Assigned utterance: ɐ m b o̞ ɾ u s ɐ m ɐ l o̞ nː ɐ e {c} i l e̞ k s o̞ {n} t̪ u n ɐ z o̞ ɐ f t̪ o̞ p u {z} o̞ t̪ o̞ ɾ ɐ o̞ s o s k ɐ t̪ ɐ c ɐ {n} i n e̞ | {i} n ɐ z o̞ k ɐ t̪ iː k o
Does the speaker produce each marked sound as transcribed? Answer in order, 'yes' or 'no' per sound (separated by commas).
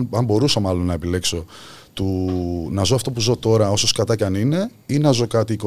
no, no, yes, yes, yes